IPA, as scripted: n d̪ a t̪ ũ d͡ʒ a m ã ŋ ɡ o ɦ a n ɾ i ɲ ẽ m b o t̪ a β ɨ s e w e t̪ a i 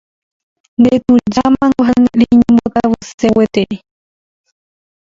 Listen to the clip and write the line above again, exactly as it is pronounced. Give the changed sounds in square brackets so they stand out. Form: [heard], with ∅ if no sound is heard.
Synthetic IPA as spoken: n d̪ [e] t̪ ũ d͡ʒ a m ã ŋ ɡ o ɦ a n ɾ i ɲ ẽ m b o t̪ a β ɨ s e w e t̪ [e] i